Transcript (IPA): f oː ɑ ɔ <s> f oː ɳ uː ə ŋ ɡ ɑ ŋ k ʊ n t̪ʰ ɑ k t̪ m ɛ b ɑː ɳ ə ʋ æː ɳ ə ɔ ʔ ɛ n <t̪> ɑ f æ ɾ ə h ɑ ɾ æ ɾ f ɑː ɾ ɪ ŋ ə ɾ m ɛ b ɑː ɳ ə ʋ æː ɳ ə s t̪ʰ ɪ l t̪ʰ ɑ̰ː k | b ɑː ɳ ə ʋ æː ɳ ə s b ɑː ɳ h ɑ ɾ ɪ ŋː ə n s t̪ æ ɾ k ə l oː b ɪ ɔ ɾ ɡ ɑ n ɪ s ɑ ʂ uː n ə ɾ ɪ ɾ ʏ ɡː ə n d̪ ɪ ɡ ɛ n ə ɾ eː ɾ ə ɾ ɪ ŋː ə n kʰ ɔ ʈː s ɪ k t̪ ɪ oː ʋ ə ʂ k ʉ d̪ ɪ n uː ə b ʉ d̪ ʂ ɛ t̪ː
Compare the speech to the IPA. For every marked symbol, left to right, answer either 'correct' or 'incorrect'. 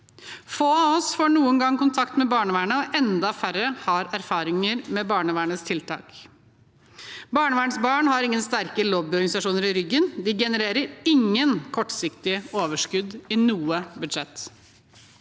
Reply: correct, incorrect: d̪

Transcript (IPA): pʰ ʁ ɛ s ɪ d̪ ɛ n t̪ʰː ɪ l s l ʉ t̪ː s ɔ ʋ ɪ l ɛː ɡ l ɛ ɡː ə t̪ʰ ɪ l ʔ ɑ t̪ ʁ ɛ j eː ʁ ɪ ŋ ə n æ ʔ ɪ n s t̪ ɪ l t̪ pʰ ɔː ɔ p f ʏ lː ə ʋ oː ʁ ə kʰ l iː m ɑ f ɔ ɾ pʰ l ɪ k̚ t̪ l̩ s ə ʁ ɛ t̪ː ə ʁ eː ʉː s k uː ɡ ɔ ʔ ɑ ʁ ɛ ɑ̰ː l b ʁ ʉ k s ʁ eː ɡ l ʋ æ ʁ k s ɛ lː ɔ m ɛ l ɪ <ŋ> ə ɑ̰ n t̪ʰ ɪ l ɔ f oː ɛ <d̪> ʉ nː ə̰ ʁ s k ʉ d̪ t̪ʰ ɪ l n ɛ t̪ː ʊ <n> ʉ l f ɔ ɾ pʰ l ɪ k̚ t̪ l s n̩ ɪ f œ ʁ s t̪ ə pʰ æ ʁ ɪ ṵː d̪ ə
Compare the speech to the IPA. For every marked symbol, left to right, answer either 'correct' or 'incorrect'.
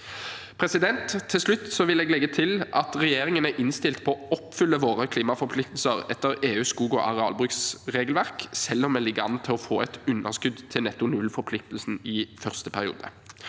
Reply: incorrect: ɡ, incorrect: t̪, correct

